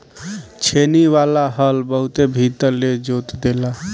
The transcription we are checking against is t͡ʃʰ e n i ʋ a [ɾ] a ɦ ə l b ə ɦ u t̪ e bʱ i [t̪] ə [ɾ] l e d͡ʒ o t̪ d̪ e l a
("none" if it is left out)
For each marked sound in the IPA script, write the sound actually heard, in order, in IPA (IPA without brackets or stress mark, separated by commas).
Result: l, t̪, ɾ